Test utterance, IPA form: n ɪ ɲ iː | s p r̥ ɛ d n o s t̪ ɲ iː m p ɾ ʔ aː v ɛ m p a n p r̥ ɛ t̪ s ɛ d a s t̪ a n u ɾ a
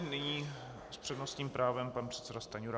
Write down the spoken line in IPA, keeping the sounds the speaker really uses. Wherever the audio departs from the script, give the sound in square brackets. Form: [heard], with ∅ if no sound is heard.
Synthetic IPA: n ɪ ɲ iː | s p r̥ ɛ d n o s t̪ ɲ iː m p ɾ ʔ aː v ɛ m p a n p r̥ ɛ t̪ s ɛ d a s t̪ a [ɲ] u ɾ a